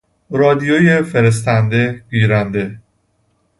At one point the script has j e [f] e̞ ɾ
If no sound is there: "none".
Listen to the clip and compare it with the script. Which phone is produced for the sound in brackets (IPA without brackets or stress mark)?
f